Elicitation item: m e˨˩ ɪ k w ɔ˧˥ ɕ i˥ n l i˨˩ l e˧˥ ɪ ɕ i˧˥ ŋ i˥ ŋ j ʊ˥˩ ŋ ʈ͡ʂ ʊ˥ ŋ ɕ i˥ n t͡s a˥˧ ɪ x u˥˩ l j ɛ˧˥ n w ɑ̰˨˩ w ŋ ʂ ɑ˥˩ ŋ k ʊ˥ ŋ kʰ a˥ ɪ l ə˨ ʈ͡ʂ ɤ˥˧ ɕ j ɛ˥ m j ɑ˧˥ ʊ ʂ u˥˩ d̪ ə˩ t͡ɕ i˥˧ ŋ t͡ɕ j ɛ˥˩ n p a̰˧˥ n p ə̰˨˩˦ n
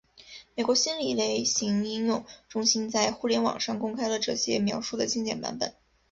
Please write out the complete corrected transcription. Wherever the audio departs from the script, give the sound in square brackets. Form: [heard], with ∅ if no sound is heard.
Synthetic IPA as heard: m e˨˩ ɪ k w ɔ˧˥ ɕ i˥ n l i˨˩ l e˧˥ ɪ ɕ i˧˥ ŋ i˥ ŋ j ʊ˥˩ ŋ ʈ͡ʂ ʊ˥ ŋ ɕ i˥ n t͡s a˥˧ ɪ x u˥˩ l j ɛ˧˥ n w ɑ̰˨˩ [∅] ŋ ʂ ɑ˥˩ ŋ k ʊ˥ ŋ kʰ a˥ ɪ l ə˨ ʈ͡ʂ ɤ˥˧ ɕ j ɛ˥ m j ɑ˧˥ ʊ ʂ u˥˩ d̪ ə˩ t͡ɕ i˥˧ ŋ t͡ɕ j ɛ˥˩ n p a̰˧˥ n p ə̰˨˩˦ n